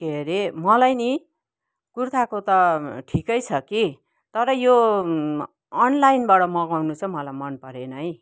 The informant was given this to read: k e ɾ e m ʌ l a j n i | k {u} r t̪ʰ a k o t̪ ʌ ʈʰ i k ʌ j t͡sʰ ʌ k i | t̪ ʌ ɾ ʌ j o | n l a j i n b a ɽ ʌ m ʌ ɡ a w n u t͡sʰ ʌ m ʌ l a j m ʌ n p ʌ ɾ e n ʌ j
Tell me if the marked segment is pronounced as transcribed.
yes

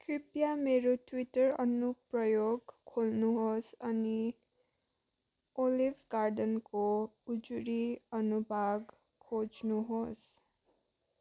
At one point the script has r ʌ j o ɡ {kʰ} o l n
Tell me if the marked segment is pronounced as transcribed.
yes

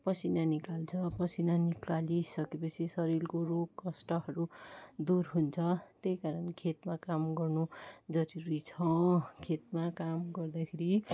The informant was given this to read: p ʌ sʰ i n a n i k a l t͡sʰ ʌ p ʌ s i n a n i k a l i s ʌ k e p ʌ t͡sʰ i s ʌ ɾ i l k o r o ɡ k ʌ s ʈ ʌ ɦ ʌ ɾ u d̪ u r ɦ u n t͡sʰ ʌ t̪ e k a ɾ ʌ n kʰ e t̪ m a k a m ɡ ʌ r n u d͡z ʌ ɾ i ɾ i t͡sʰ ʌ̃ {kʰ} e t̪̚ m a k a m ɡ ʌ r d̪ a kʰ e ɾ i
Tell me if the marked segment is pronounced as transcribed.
yes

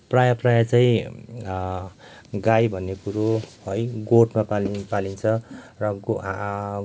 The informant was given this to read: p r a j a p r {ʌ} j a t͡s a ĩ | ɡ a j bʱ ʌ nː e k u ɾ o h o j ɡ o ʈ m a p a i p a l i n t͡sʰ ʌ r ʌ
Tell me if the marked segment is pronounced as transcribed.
no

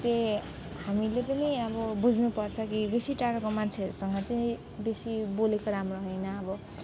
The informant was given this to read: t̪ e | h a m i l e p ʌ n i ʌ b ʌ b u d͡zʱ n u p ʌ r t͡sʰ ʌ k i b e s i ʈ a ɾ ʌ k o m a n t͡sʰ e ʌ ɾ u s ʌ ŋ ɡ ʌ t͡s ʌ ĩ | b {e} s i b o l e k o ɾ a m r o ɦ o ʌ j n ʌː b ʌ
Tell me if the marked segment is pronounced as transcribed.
yes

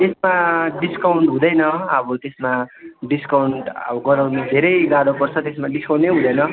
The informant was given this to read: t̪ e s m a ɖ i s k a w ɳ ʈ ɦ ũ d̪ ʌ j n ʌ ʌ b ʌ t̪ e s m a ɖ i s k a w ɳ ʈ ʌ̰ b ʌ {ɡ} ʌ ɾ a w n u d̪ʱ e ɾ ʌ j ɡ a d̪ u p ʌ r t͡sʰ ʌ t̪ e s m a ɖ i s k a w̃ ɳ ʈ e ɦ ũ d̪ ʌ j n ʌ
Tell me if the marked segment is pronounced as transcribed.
yes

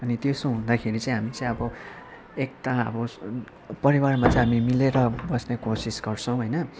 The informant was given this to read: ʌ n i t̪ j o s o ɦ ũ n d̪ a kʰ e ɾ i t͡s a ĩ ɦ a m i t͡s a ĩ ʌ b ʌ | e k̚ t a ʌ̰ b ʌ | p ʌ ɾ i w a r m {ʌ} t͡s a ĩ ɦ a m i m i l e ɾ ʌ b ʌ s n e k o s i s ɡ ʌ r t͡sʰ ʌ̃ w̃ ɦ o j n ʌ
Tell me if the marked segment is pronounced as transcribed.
no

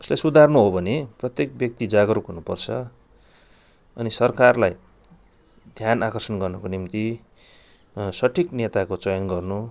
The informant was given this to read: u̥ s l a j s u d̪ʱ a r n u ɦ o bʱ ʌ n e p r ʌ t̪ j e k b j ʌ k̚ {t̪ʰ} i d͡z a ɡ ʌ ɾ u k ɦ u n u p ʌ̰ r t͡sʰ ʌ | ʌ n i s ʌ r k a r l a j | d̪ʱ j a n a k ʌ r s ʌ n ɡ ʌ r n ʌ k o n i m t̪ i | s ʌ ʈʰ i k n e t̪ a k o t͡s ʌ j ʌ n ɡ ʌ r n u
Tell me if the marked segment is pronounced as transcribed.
no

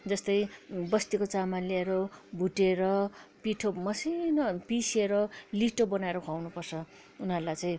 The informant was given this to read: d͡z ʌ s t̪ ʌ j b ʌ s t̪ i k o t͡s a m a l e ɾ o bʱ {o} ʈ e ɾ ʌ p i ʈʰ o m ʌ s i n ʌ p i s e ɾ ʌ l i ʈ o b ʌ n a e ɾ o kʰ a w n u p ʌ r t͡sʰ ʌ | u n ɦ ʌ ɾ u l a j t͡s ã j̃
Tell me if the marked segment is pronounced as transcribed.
no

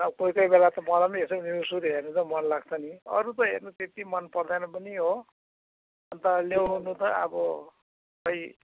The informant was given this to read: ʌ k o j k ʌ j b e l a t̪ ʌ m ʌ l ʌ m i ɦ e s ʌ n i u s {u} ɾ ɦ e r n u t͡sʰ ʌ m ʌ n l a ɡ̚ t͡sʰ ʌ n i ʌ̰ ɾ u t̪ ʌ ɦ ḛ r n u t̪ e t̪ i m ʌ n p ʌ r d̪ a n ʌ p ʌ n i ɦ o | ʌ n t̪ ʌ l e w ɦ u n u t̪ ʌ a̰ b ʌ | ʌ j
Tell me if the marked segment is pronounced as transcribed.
yes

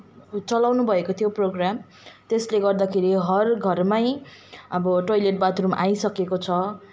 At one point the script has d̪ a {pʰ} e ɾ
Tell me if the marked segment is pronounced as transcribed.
no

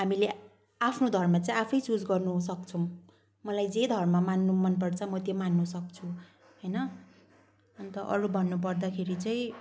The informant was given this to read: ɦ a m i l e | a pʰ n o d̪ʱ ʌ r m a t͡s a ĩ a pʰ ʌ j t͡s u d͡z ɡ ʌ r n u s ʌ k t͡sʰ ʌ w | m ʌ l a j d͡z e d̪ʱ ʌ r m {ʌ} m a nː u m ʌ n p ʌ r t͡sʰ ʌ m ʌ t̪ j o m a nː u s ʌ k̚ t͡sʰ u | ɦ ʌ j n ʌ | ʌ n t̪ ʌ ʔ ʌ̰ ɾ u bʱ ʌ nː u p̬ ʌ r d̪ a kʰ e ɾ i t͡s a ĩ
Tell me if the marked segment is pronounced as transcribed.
no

